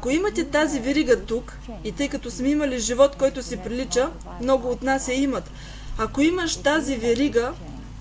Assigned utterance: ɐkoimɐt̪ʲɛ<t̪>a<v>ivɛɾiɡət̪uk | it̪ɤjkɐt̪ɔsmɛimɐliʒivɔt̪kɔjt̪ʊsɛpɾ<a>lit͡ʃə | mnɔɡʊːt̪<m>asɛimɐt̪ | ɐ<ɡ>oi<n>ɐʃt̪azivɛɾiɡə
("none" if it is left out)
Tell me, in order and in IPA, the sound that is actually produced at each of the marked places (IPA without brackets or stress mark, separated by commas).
t̪, z, i, n, k, m